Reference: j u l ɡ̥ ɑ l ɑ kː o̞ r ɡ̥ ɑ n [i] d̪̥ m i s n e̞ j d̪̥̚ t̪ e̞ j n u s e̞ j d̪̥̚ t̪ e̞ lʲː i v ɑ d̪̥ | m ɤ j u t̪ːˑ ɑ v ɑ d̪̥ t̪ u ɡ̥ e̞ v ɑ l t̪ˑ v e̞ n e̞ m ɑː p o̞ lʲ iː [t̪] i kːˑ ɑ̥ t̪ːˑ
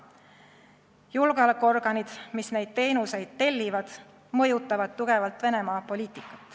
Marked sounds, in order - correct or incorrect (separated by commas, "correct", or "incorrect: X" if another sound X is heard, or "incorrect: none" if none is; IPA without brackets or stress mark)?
correct, correct